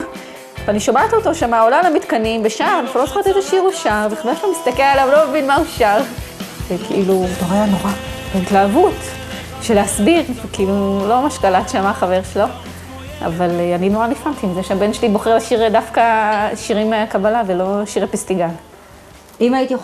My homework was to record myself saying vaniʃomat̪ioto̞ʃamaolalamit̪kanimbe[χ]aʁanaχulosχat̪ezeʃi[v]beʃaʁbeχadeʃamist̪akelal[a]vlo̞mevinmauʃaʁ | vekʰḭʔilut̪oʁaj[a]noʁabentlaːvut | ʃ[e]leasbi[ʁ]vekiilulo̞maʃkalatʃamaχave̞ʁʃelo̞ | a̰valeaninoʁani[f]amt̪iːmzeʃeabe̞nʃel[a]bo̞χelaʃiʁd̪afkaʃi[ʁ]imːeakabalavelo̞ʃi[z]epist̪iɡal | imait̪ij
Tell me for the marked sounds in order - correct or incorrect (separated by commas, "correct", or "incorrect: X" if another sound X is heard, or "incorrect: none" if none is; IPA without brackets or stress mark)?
incorrect: ʃ, incorrect: ʁ, correct, correct, correct, correct, correct, incorrect: i, correct, incorrect: ʁ